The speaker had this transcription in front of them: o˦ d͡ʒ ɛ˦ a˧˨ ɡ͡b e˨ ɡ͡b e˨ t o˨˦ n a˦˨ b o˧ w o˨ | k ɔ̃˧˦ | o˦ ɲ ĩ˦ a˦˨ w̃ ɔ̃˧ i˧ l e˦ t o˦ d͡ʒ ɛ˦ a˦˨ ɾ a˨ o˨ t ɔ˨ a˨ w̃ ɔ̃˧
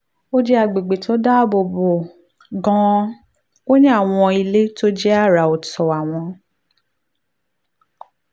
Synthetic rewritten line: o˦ d͡ʒ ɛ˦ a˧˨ ɡ͡b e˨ ɡ͡b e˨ t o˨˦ d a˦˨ b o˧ b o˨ | ɡ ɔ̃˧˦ | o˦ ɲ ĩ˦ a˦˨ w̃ ɔ̃˧ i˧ l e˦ t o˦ d͡ʒ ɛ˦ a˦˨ ɾ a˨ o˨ t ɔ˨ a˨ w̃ ɔ̃˧